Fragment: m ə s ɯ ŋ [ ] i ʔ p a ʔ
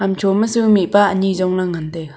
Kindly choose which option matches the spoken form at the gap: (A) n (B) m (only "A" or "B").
B